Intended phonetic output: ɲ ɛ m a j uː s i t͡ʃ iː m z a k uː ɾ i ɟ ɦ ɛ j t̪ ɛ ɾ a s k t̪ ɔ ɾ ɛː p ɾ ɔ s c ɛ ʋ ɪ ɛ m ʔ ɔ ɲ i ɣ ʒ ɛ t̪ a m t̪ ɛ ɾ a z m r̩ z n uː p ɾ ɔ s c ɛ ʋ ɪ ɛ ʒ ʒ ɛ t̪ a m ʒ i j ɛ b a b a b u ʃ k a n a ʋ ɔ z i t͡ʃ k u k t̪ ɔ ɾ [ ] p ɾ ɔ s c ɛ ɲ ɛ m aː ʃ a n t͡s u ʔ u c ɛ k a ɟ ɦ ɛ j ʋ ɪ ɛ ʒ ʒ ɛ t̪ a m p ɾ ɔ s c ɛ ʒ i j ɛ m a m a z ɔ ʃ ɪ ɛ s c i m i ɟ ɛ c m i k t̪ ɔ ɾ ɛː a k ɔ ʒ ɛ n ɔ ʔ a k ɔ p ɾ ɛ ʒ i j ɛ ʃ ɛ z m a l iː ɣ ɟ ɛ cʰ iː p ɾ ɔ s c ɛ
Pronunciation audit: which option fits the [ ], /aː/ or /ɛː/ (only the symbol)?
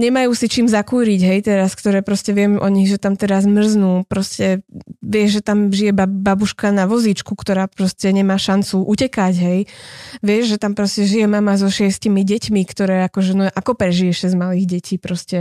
aː